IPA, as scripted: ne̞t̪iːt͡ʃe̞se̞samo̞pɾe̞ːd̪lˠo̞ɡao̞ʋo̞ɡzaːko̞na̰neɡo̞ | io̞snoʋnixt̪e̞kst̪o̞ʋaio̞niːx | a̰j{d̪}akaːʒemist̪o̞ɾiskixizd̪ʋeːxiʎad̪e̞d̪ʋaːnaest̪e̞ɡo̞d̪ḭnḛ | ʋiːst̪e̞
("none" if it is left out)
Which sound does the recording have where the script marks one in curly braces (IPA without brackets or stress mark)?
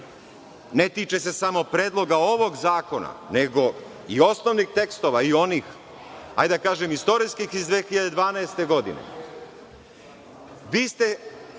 d̪